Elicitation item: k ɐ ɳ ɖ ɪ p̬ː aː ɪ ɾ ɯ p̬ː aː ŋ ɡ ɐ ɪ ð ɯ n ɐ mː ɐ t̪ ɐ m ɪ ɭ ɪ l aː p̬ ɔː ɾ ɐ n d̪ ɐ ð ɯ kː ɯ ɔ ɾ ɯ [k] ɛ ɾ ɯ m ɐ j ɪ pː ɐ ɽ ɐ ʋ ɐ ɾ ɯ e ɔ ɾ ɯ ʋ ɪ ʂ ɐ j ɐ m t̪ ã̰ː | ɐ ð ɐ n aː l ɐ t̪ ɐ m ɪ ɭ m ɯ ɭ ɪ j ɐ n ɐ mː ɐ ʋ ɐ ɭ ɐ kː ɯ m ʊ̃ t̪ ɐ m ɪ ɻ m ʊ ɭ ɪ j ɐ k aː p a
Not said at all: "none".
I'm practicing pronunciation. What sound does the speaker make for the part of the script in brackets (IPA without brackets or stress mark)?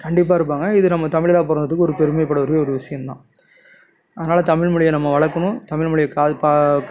p